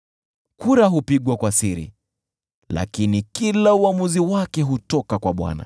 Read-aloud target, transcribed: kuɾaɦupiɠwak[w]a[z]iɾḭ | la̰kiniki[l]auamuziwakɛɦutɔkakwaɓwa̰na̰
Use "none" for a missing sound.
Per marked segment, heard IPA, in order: w, s, l

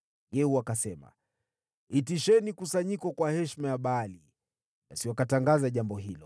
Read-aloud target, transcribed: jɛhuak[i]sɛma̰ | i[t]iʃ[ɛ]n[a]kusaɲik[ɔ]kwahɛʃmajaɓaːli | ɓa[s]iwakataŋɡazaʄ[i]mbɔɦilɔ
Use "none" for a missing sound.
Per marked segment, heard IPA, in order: a, t, ɛ, i, ɔ, s, a

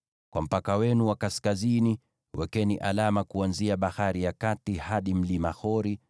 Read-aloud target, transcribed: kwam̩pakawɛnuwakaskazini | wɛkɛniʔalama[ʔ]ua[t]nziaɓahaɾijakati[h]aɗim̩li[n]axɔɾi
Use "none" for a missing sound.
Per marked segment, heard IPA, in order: k, none, h, m

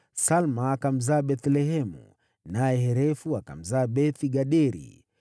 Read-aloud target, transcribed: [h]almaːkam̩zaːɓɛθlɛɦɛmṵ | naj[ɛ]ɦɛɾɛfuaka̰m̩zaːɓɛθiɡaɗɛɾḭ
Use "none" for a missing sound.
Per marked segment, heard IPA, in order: s, ɛ

